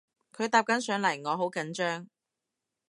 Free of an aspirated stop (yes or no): no